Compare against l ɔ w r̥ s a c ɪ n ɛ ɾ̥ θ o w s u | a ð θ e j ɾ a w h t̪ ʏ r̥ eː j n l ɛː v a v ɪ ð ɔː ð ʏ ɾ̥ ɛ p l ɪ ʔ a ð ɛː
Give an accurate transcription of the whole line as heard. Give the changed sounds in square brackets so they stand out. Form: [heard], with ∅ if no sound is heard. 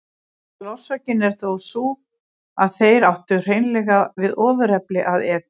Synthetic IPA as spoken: l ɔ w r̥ s a c ɪ n ɛ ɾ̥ θ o w s u | a ð θ e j ɾ a w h t̪ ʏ r̥ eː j n l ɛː [ɣ] a v ɪ ð ɔː [v] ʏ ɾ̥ ɛ p l ɪ ʔ a ð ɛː

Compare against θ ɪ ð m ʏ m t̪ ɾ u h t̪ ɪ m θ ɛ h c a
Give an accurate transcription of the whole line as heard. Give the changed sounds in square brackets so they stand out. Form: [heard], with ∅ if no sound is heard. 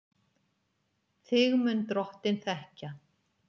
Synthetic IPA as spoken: θ ɪ [ɣ] m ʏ [n] t̪ ɾ [ɔ] h t̪ ɪ [n] θ ɛ h c a

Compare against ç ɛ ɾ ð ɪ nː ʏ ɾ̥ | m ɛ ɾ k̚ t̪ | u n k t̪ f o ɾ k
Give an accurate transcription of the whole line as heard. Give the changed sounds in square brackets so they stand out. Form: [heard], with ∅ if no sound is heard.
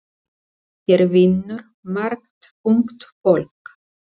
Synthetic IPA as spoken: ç ɛ ɾ [v] ɪ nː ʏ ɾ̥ | m [a] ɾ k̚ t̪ | u [ŋ] k t̪ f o [l] k

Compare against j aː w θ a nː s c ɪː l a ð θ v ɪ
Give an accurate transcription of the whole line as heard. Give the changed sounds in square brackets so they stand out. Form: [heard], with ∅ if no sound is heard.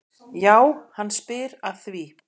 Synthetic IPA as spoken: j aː w [h] a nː s [p] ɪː [ɾ] a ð θ v [i]

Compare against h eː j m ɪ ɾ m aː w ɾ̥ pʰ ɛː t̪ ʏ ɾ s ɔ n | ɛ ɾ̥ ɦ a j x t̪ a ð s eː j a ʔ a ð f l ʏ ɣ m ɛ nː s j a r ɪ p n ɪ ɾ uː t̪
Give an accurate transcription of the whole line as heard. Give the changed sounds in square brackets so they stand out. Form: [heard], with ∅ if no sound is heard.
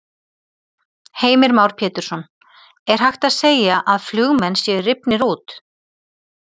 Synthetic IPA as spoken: h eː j m ɪ ɾ m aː w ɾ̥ pʰ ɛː t̪ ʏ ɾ s ɔ n | ɛ ɾ̥ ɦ a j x t̪ a ð s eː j a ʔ a ð f l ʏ ɣ m ɛ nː s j [ɛ] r ɪ p n ɪ ɾ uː t̪

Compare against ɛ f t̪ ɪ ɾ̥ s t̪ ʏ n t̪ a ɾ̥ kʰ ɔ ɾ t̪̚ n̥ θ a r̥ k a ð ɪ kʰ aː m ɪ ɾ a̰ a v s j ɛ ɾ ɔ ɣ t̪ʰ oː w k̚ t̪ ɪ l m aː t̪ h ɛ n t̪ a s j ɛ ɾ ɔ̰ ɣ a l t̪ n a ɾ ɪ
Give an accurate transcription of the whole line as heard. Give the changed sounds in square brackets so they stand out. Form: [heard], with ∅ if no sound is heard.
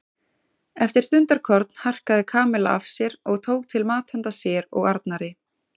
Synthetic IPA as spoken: ɛ f t̪ ɪ ɾ̥ s t̪ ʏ n t̪ a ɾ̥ kʰ ɔ ɾ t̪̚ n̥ [h] a r̥ k a ð ɪ kʰ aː m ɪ [l] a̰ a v s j ɛ ɾ ɔ ɣ t̪ʰ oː w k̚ [t̪ʰ] ɪ l m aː t̪ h ɛ n t̪ a s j ɛ ɾ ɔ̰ ɣ a [ɾ] t̪ n a ɾ ɪ

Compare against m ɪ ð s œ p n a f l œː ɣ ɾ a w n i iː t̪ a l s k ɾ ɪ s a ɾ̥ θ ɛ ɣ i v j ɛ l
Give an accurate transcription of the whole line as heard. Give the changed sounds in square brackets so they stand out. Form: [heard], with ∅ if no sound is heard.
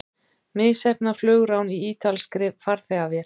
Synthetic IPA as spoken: m ɪ ð s [ɛ] p n a f l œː ɣ ɾ a w n i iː t̪ a l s k ɾ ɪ [f] a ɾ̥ θ ɛ ɣ [a] v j ɛ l

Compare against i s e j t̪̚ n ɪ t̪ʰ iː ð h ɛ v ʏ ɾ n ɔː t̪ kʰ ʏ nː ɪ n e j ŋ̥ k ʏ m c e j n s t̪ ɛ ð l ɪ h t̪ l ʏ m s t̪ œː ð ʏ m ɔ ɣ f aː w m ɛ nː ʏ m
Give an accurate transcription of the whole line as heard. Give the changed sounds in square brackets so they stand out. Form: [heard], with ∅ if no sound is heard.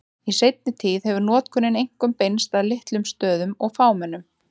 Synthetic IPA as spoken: i s e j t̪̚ n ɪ t̪ʰ iː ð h ɛ v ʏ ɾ n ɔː t̪ kʰ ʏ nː ɪ n e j ŋ̥ k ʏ m [p] e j n s t̪ [a] ð l ɪ h t̪ l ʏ m s t̪ œː ð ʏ m ɔ ɣ f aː w m ɛ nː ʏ m

